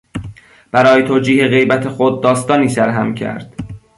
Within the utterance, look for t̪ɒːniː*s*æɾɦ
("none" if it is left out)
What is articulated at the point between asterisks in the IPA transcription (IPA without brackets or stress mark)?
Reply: s